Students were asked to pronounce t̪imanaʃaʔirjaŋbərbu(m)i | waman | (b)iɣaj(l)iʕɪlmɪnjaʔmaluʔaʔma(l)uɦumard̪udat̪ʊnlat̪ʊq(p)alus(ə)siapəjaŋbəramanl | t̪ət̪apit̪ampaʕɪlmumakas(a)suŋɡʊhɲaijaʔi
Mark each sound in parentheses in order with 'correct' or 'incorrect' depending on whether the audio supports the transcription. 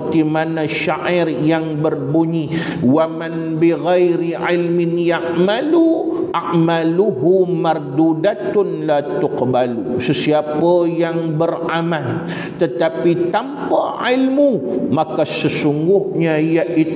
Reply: incorrect, correct, incorrect, correct, incorrect, correct, incorrect

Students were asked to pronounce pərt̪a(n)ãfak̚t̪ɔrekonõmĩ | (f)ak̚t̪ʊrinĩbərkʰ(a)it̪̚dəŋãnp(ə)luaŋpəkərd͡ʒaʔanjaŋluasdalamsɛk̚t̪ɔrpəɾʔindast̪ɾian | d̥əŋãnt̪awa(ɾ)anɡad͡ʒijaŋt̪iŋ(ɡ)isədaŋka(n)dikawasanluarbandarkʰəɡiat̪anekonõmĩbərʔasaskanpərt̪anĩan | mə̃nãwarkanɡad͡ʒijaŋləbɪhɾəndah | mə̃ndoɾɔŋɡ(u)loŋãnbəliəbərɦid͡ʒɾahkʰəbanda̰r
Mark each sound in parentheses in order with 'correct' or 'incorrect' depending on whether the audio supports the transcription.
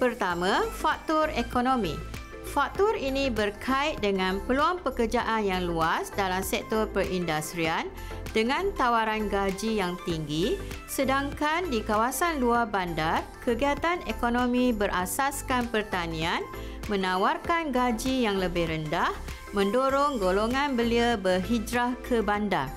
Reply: incorrect, correct, correct, correct, correct, correct, correct, incorrect

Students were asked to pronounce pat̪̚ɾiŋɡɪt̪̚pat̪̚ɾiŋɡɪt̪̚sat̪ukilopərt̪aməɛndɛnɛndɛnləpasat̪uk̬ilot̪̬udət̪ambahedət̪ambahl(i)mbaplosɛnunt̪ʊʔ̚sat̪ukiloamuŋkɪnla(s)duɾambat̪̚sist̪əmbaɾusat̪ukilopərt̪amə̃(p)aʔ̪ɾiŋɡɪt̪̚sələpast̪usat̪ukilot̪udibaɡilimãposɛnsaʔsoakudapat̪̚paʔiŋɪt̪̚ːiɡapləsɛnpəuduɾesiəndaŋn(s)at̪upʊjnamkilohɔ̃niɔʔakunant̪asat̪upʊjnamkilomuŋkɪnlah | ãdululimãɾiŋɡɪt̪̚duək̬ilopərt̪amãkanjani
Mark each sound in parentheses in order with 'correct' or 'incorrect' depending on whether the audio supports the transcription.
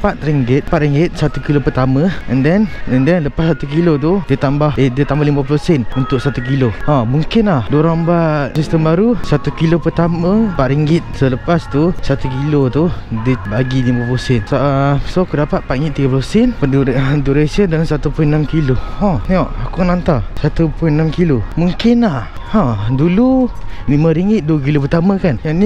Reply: correct, incorrect, correct, correct

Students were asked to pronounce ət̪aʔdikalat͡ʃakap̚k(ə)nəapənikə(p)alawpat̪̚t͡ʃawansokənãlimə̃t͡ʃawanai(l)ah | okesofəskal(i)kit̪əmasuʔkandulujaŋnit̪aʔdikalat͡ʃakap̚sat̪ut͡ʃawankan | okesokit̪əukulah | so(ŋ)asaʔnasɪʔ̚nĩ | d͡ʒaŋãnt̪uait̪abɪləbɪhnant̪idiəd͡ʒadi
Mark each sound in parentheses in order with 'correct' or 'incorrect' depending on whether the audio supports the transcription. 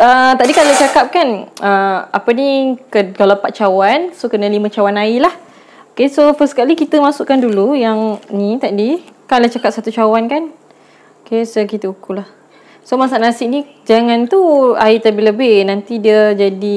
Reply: incorrect, incorrect, correct, correct, incorrect

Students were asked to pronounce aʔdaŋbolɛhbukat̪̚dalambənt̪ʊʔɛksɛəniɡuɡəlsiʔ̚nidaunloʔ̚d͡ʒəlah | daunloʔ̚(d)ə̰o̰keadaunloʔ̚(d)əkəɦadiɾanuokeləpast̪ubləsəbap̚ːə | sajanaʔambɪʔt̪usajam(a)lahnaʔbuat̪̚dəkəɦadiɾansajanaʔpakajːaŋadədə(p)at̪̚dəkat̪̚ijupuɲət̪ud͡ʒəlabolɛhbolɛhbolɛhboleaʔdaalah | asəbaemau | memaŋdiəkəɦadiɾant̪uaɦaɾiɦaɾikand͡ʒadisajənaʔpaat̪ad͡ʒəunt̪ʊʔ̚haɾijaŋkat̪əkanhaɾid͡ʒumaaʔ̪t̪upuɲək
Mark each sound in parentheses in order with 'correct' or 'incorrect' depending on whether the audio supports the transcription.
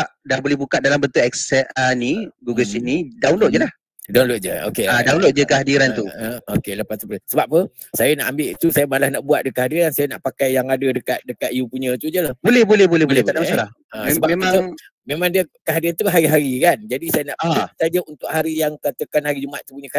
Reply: incorrect, incorrect, correct, incorrect

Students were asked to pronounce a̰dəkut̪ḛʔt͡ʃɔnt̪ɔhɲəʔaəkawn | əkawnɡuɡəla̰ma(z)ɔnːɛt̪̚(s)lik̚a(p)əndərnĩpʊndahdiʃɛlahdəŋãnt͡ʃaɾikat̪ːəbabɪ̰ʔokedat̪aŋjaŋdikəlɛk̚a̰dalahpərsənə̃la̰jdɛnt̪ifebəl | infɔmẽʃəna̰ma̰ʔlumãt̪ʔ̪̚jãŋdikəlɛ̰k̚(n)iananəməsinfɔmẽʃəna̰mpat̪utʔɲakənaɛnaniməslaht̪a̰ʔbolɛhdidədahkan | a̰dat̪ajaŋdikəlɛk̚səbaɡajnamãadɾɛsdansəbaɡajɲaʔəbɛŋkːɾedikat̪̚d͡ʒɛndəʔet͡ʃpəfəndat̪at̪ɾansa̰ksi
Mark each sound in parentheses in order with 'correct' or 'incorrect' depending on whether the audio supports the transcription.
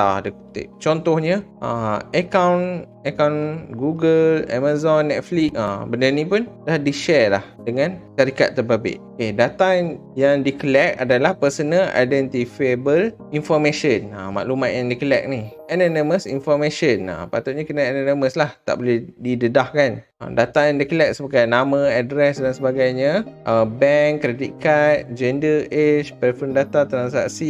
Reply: correct, incorrect, incorrect, correct

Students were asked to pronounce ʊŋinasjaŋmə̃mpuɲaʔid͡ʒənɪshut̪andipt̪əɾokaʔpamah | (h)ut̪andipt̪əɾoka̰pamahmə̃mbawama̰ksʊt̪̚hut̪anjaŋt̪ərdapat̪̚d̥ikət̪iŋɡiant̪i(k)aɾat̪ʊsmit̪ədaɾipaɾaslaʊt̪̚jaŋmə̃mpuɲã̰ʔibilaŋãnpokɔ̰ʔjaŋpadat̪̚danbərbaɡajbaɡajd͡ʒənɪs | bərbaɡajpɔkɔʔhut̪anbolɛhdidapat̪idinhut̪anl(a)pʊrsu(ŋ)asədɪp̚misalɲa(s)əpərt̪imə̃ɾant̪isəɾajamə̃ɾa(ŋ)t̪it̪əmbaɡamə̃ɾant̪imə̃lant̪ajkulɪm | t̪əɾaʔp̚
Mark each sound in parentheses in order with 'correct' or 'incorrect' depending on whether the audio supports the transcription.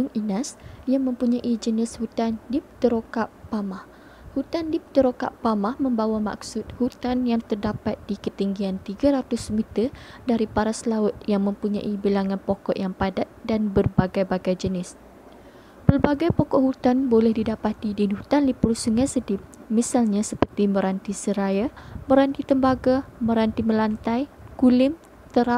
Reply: correct, incorrect, incorrect, correct, correct, incorrect

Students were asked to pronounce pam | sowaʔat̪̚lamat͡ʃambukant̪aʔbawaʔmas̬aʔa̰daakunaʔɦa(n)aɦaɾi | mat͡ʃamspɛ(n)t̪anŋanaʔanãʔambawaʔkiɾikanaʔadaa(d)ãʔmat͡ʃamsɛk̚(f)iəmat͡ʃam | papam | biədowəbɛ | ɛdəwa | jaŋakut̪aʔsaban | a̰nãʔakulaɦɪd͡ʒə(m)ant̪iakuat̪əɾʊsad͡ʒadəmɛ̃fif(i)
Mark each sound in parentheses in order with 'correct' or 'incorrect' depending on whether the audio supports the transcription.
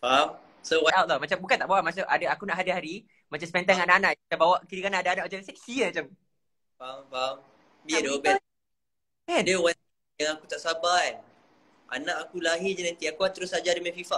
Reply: incorrect, correct, incorrect, incorrect, incorrect, incorrect

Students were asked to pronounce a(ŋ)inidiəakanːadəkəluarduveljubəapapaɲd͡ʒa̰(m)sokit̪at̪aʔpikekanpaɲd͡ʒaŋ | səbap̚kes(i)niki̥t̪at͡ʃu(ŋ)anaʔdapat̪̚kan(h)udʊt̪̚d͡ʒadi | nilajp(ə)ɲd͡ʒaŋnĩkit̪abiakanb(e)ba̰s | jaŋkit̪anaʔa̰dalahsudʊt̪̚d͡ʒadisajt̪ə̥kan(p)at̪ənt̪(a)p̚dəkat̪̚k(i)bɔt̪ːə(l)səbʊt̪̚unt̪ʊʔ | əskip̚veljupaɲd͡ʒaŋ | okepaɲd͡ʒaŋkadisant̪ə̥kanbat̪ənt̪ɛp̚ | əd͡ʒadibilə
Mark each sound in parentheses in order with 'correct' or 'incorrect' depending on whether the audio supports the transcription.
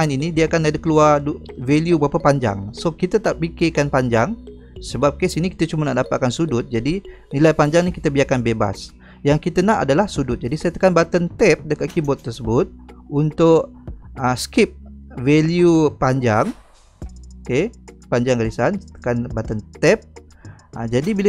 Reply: incorrect, incorrect, correct, incorrect, incorrect, incorrect, correct, incorrect, incorrect, correct, incorrect

